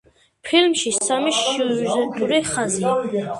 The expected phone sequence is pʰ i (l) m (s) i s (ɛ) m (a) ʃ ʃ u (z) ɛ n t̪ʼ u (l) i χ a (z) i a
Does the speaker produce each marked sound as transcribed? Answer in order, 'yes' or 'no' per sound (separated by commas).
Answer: yes, no, no, no, yes, no, yes